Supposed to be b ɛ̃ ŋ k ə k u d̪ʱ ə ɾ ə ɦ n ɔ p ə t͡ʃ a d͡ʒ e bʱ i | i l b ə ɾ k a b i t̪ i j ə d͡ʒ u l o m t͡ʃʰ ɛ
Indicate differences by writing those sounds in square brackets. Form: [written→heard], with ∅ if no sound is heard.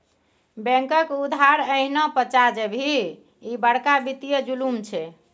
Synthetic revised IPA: b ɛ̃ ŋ k ə k u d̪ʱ [ə→a] ɾ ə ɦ n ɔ p ə t͡ʃ a d͡ʒ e bʱ i | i [l→∅] b ə [ɾ→ɽ] k a b i t̪ i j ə d͡ʒ u l [o→u] m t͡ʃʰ ɛ